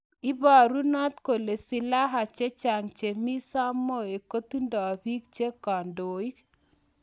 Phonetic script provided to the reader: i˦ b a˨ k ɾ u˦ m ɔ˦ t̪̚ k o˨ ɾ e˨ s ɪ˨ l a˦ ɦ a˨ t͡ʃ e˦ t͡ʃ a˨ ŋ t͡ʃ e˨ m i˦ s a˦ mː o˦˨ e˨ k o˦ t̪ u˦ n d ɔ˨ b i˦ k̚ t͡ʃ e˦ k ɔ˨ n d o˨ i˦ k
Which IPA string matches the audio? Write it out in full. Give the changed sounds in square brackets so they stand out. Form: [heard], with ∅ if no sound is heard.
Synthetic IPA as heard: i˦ b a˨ [∅] ɾ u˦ [n] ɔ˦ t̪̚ k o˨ [l] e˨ s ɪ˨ l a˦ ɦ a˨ t͡ʃ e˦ t͡ʃ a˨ ŋ t͡ʃ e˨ m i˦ s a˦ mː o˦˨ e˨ k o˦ t̪ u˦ n d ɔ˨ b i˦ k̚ t͡ʃ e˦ k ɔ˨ n d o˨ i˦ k